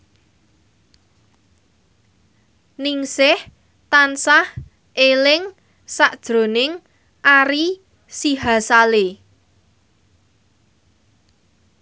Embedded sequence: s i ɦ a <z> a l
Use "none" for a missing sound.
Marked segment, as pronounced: s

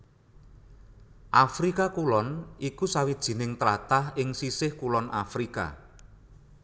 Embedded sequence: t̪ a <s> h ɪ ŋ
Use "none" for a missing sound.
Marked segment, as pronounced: none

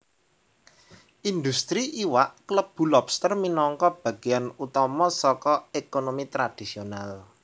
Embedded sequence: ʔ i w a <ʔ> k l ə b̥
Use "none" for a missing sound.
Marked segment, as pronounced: ʔ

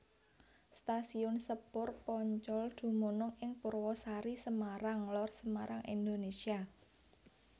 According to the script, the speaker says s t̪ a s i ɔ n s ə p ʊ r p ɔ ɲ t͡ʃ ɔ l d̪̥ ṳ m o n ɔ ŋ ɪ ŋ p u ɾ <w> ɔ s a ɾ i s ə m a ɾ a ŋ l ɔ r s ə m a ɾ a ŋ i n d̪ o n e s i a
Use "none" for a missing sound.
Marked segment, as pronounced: w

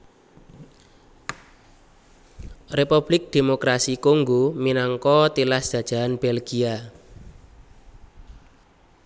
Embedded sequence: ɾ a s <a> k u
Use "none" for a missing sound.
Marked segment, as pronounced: i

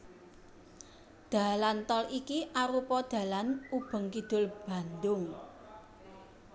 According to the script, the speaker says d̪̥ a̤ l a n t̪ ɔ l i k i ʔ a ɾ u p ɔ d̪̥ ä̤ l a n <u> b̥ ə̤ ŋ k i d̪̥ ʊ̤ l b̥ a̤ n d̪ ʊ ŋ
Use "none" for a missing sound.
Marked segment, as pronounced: u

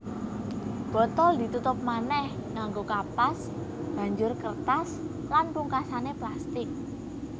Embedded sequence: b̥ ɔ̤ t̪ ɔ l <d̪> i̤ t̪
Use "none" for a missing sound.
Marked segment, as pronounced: d̪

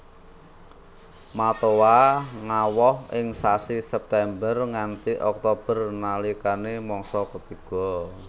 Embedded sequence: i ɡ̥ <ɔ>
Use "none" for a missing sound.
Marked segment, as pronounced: ɔ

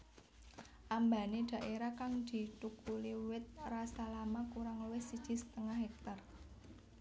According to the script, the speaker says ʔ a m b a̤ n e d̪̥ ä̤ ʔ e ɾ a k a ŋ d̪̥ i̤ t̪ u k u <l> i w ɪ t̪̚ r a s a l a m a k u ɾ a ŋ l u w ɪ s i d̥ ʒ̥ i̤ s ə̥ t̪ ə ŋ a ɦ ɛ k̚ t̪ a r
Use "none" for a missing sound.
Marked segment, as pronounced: l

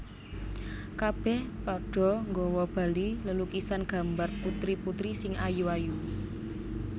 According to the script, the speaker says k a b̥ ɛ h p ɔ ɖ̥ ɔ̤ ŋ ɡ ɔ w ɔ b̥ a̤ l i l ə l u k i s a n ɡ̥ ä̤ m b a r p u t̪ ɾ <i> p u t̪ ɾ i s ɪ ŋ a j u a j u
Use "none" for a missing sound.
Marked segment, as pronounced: i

